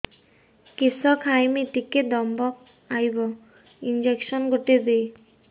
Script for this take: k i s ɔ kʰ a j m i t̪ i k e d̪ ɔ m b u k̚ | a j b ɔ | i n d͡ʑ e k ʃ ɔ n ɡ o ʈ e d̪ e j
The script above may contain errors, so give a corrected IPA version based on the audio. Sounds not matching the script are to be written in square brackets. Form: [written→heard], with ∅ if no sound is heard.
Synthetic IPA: k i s ɔ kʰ a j m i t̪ i k e d̪ ɔ m b [u→ɔ] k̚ | a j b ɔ | i n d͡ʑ e k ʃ ɔ n ɡ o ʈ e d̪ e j